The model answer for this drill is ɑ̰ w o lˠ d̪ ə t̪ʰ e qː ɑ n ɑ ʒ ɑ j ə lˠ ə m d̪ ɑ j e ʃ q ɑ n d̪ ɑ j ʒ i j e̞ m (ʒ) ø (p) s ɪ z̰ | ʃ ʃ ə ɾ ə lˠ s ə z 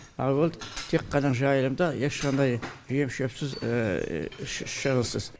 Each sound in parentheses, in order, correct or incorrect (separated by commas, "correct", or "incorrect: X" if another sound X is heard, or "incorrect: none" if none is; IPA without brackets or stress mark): incorrect: ʃ, correct